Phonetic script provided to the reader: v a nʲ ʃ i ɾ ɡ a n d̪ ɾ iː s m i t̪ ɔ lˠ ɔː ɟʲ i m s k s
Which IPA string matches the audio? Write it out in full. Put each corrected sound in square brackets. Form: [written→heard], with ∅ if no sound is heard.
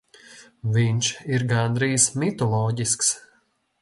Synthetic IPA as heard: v [a→i] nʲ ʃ i ɾ ɡ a n d̪ ɾ iː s m i t̪ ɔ lˠ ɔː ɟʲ i [m→∅] s k s